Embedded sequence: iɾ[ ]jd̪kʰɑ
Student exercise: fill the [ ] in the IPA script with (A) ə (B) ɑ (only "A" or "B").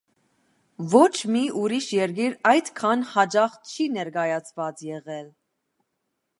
B